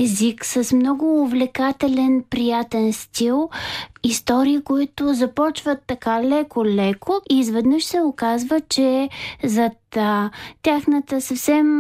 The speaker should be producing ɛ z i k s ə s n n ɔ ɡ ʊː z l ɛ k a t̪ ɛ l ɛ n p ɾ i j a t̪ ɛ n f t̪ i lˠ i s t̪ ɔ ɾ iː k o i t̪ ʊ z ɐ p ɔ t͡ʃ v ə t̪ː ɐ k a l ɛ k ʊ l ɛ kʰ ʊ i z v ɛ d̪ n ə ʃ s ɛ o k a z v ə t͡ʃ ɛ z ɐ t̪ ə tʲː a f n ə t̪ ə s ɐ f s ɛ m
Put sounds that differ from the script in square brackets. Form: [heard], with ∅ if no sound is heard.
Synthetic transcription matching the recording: ɛ z i k s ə s [m] n ɔ ɡ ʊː [v] l ɛ k a t̪ ɛ l ɛ n p ɾ i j a t̪ ɛ n [s] t̪ i lˠ i s t̪ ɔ ɾ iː k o i t̪ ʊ z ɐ p ɔ t͡ʃ v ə t̪ː ɐ k a l ɛ k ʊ l ɛ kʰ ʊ i z v ɛ d̪ n ə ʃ s ɛ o k a z v ə t͡ʃ ɛ z ɐ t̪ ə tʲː a [x] n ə t̪ ə s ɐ f s ɛ m